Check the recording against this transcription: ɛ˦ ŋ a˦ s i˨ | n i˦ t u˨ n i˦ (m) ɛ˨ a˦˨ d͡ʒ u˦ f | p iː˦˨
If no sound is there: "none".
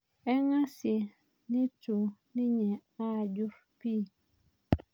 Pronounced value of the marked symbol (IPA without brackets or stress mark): ɲ